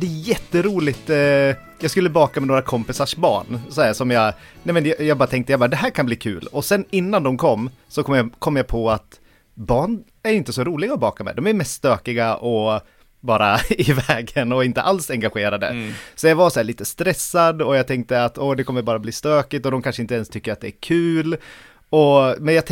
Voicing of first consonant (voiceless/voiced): voiced